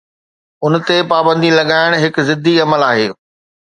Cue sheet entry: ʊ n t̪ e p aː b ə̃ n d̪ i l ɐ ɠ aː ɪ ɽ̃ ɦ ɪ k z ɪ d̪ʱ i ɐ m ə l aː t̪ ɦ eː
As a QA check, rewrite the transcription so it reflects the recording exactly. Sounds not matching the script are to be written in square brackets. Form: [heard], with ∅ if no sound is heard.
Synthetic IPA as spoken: ʊ n t̪ e p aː b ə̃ n d̪ i l ɐ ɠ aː ɪ ɽ̃ ɦ ɪ k z ɪ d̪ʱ i ɐ m ə l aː [∅] ɦ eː